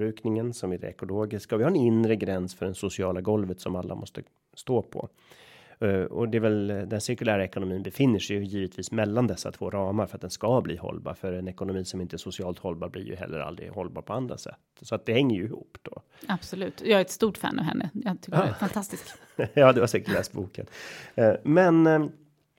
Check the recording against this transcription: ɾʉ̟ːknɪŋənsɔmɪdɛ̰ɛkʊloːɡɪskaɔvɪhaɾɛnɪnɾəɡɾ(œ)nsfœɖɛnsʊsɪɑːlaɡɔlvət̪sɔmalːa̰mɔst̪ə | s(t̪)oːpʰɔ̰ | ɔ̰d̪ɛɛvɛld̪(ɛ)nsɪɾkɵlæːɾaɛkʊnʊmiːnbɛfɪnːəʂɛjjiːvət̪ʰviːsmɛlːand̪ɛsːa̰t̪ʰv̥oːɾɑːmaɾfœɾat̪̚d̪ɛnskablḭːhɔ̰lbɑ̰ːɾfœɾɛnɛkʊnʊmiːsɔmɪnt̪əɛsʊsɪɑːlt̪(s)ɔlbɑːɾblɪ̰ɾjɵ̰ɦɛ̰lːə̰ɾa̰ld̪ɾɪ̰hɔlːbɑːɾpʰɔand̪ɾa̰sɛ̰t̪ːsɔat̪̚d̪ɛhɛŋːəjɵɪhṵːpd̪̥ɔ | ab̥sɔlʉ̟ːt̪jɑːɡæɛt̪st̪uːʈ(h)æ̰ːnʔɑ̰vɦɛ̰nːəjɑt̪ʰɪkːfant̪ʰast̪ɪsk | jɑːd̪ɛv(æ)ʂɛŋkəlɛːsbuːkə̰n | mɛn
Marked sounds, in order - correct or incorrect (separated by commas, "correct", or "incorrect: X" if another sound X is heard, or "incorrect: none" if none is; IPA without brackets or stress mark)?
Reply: incorrect: ɛ, correct, correct, incorrect: h, incorrect: f, incorrect: a